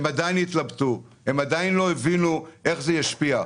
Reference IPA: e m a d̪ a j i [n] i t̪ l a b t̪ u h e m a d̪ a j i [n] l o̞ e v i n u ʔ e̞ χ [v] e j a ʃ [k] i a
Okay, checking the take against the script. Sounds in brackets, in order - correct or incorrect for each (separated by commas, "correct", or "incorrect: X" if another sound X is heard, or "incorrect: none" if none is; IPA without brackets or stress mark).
correct, correct, incorrect: z, incorrect: p